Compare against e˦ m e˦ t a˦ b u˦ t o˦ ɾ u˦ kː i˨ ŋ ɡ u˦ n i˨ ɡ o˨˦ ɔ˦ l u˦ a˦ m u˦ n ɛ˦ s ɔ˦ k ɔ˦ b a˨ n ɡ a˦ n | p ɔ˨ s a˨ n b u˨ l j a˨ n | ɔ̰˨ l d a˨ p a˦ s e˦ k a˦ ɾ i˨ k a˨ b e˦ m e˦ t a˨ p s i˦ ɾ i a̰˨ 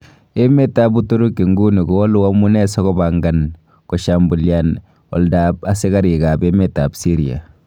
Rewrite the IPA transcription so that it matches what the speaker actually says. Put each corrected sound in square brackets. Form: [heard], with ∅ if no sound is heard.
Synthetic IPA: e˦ m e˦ t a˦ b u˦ t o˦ ɾ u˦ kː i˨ ŋ ɡ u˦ n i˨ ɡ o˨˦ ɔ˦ l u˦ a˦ m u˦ n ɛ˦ s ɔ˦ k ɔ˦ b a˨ [ŋ] ɡ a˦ n | [k] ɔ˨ [ʃ] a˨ [m] b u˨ l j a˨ n | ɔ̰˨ l d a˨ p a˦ s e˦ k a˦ ɾ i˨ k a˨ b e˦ m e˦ t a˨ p s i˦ ɾ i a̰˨